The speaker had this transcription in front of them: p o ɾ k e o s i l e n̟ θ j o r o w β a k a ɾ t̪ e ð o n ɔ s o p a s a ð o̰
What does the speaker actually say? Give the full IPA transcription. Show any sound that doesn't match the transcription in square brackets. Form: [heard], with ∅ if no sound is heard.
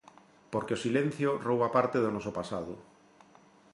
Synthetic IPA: p o ɾ k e o s i l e n̟ θ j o r o w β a [p] a ɾ t̪ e ð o n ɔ s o p a s a ð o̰

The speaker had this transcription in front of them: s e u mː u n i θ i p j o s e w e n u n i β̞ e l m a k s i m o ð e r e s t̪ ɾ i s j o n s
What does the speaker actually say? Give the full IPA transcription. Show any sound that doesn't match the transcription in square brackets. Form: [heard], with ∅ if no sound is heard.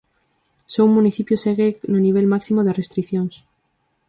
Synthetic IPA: s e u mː u n i θ i p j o s e [ɣ] e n [o] n i β̞ e l m a k s i m o ð e r e s t̪ ɾ i [θ] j o n s

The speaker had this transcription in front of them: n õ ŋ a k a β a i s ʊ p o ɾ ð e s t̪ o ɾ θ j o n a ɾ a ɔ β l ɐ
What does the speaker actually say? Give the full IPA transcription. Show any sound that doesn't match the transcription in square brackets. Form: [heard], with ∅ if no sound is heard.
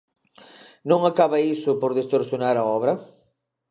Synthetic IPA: n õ ŋ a k a β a i s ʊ p o ɾ ð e s t̪ o ɾ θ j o n a ɾ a ɔ β [ɾ] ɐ

